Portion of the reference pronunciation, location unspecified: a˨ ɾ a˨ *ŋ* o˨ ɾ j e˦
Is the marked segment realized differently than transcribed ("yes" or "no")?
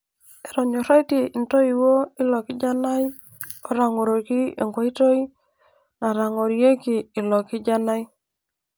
no